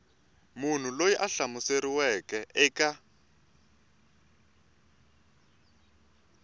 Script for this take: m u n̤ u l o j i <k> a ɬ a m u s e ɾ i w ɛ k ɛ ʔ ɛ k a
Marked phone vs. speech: incorrect: ʔ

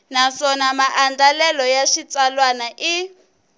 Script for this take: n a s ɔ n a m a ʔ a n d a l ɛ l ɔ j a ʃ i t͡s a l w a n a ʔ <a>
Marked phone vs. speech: incorrect: i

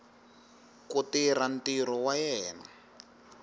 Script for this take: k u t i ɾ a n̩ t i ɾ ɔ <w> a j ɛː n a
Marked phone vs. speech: correct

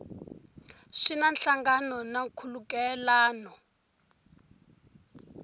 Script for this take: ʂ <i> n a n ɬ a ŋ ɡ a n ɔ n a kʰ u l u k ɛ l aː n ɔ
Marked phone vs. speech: correct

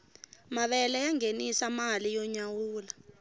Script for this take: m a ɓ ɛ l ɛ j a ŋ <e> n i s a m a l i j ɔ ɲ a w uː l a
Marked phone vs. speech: correct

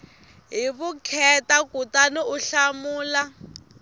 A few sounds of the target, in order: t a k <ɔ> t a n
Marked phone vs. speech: incorrect: u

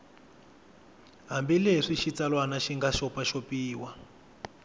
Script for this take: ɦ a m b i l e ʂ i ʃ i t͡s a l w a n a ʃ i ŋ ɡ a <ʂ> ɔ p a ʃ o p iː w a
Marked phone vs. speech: incorrect: ʃ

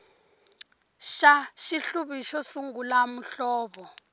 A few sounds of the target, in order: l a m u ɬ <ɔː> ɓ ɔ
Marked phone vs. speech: correct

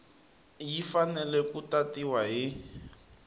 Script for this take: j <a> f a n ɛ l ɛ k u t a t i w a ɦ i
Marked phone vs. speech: incorrect: i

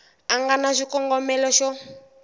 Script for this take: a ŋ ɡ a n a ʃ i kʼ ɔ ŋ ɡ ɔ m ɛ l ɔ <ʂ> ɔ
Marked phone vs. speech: incorrect: ʃ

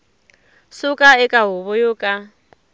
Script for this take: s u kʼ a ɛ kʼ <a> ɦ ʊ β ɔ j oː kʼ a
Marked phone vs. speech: correct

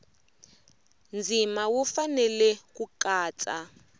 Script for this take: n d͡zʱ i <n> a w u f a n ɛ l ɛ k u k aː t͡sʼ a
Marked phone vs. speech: incorrect: m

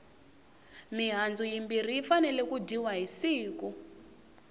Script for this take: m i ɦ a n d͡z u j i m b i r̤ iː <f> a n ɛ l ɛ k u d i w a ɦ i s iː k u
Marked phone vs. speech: correct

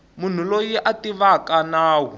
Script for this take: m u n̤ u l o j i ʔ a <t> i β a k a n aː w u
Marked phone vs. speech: correct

